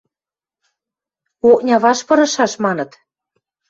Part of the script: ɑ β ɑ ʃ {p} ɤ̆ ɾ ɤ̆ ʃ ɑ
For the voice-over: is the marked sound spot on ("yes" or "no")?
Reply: yes